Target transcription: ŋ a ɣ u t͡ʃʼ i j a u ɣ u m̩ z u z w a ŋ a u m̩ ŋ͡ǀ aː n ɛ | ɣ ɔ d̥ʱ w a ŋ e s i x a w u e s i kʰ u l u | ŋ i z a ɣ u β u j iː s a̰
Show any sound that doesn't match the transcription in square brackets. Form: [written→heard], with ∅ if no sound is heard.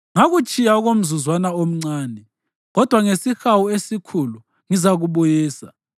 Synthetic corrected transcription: ŋ a ɣ u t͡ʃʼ i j a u ɣ [u→o] m̩ z u z w a [ŋ→n] a [u→o] m̩ ŋ͡ǀ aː n ɛ | ɣ ɔ d̥ʱ w a ŋ e s i x a w u e s i kʰ u l u | ŋ i z a ɣ u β u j iː s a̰